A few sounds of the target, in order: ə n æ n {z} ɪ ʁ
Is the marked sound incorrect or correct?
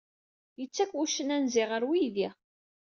correct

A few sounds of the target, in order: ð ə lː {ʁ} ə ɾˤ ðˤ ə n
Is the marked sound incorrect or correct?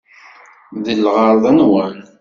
correct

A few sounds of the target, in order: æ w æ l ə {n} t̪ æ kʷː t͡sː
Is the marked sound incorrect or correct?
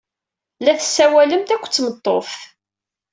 incorrect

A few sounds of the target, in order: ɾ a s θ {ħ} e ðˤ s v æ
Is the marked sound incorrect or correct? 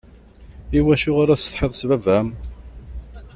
correct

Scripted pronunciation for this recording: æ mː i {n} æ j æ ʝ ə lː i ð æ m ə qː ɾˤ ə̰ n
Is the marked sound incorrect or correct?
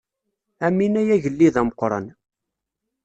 correct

